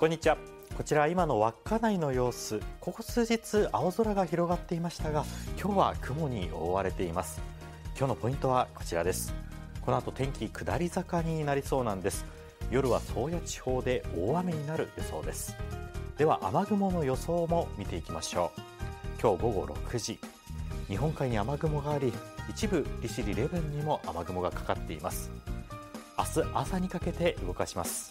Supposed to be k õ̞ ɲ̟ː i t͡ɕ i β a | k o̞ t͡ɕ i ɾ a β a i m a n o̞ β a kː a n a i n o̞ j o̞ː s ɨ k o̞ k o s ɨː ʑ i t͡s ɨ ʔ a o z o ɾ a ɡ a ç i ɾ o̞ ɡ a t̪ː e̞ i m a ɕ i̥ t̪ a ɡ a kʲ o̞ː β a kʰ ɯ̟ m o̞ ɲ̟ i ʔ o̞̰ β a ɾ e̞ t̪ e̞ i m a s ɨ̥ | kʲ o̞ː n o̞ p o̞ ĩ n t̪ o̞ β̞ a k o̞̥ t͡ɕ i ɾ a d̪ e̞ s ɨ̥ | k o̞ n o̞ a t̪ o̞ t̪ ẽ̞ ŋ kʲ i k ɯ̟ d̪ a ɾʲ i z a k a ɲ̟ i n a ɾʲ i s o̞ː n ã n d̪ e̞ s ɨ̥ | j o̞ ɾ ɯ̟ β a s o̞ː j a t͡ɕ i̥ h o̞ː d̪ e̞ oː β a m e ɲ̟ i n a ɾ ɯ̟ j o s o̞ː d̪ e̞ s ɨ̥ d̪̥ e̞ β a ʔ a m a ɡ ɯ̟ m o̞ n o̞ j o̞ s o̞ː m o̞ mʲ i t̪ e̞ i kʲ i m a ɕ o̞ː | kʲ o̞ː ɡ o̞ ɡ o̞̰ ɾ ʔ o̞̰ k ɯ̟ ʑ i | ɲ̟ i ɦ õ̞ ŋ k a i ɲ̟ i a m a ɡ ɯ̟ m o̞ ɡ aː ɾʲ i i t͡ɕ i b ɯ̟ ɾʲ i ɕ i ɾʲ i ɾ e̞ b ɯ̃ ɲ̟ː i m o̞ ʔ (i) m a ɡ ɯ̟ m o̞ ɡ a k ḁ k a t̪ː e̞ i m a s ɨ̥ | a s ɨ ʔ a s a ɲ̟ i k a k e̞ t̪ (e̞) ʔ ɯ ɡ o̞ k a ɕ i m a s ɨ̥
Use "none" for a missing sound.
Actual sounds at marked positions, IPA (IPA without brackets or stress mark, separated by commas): a, e̞